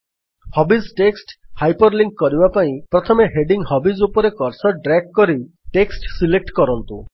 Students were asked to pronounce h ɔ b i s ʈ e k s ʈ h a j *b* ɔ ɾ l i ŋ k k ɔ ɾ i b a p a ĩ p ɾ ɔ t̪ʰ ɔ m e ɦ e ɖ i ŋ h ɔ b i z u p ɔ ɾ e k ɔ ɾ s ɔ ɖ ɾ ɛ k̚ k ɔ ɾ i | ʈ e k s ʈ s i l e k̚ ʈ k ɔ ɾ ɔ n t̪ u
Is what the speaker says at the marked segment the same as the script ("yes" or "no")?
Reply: no